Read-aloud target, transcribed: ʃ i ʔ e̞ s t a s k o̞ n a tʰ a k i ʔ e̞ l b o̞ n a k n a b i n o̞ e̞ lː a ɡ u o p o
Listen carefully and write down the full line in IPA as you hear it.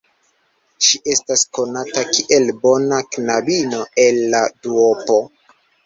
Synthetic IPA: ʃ i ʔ e̞ s t a s k o̞ n a t a k i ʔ e̞ l b o̞ n a k n a b i n o̞ e̞ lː a d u o p o